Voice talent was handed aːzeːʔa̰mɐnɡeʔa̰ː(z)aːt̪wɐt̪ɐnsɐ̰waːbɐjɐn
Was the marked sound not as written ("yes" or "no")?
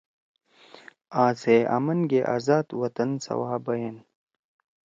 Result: no